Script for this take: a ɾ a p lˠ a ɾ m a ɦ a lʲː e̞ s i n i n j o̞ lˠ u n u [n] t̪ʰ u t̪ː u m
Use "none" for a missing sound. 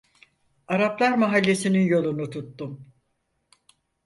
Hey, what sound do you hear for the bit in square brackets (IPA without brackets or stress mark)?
none